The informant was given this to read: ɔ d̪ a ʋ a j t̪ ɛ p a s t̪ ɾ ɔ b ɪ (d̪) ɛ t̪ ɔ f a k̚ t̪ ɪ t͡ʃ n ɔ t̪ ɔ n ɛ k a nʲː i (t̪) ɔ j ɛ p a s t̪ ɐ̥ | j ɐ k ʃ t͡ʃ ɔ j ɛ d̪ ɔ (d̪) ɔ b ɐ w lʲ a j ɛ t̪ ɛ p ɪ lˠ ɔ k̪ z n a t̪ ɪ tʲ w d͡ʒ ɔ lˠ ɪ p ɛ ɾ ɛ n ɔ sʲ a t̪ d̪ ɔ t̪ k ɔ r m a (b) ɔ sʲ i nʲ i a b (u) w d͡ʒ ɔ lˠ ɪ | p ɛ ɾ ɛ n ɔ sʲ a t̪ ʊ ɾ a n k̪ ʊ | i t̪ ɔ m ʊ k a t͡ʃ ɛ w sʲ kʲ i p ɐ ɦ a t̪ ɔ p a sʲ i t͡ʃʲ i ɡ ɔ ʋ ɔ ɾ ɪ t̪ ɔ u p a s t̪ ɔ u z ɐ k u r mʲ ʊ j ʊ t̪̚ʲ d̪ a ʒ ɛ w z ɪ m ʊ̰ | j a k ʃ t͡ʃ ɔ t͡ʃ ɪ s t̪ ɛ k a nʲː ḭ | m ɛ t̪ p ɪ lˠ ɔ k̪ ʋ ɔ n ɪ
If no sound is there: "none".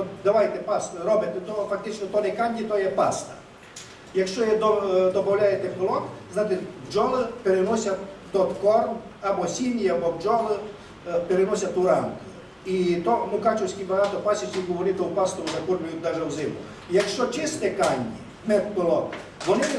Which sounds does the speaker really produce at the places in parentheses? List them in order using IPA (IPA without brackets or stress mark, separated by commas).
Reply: t̪, t̪, d̪, b, ɔ